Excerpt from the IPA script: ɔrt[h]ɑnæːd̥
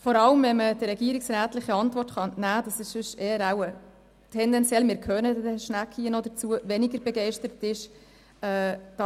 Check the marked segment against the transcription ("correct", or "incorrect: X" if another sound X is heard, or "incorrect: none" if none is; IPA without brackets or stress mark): incorrect: χ